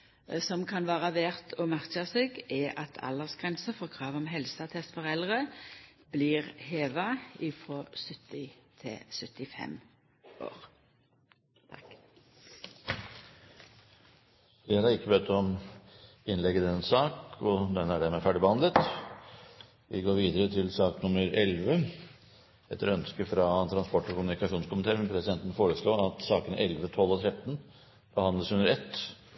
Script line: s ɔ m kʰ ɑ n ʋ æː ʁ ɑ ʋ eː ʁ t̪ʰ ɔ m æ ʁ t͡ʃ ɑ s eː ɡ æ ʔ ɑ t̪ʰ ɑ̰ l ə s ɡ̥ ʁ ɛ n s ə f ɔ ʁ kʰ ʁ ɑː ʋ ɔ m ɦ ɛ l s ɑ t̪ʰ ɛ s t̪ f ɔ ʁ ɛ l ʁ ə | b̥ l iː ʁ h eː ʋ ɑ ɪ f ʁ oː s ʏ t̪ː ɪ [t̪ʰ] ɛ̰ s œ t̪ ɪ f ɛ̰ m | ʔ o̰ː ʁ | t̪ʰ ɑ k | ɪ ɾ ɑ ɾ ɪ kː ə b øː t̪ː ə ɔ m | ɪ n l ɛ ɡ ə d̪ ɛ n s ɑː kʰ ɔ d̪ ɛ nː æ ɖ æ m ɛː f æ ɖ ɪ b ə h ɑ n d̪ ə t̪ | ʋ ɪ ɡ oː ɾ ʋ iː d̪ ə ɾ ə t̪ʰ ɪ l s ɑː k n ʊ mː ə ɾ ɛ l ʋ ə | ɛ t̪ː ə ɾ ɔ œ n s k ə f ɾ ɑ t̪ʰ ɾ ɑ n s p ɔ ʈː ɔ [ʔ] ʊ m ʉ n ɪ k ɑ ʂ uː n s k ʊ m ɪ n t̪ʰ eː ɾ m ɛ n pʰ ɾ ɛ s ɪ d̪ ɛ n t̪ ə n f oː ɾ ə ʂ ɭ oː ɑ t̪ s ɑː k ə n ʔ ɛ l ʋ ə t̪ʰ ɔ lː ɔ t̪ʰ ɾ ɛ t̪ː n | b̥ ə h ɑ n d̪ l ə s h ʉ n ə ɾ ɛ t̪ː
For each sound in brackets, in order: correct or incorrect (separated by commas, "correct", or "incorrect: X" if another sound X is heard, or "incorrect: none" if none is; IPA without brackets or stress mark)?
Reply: correct, incorrect: k